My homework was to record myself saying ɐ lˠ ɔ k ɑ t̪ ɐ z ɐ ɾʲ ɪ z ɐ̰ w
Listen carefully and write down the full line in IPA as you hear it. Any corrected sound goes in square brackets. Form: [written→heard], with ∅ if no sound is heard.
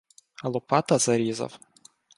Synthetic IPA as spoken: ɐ lˠ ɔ [k→p] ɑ t̪ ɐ z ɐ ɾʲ [ɪ→i] z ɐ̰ w